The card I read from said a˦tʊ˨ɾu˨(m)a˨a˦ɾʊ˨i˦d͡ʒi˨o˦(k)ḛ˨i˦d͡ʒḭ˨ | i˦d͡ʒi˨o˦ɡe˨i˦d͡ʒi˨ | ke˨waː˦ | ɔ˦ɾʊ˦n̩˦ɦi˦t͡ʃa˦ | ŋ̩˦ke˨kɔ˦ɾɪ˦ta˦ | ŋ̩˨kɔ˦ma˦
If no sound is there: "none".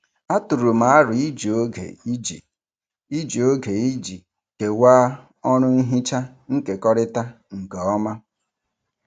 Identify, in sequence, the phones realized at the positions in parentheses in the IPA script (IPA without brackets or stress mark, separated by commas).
m, ɡ